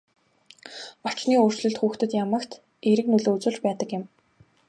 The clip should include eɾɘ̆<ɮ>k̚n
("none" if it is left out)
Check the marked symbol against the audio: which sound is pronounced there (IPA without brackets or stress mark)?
none